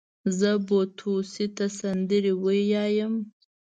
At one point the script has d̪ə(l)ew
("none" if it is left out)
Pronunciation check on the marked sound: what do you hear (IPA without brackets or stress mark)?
ɾ